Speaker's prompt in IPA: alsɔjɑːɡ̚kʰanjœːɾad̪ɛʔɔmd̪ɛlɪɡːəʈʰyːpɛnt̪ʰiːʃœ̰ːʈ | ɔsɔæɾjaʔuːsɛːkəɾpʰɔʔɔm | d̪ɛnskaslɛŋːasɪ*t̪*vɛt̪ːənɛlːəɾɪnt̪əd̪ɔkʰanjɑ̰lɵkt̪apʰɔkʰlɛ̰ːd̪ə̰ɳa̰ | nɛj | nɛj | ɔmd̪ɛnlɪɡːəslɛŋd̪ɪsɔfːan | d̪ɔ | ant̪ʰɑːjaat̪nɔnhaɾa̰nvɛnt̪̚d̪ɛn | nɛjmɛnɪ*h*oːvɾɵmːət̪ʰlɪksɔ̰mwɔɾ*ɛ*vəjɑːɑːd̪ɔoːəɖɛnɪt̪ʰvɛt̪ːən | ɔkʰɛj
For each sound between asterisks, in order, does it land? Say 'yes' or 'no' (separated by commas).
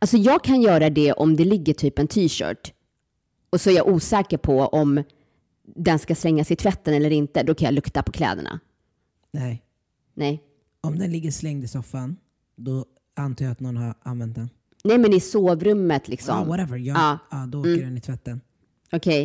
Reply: no, no, yes